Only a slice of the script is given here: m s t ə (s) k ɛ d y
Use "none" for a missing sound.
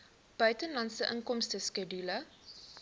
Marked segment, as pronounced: s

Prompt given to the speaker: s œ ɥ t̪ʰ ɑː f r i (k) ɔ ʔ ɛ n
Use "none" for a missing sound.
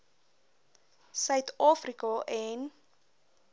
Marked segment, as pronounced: k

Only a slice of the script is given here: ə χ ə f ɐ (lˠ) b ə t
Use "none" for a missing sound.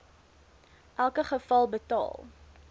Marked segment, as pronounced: lˠ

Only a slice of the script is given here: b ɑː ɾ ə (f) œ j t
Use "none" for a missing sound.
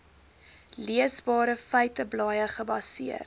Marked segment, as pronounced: f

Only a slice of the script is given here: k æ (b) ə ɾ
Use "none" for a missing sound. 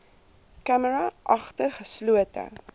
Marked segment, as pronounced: m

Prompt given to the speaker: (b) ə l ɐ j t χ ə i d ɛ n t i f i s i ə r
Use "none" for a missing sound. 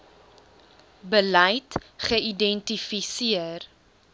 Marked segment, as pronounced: b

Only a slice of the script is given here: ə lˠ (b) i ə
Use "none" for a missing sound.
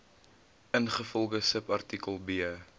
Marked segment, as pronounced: b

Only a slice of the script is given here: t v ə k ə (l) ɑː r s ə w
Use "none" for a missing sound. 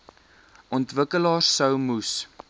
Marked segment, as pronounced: l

